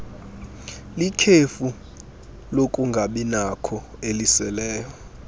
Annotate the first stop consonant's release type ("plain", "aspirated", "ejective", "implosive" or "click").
aspirated